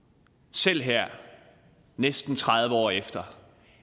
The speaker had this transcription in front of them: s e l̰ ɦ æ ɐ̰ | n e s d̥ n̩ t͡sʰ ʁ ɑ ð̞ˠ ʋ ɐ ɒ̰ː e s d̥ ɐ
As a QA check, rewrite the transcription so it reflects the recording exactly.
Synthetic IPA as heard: s e l̰ ɦ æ ɐ̰ | n e s d̥ n̩ t͡sʰ ʁ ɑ ð̞ˠ ʋ ə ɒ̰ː e f d̥ ɐ